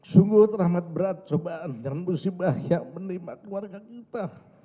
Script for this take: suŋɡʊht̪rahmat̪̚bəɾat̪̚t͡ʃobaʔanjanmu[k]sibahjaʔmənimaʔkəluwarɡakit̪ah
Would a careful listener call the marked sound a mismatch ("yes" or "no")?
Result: yes